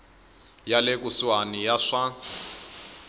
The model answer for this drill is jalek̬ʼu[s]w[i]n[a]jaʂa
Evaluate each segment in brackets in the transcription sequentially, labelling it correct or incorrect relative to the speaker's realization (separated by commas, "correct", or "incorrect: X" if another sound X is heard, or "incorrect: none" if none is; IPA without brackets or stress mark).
correct, incorrect: a, incorrect: i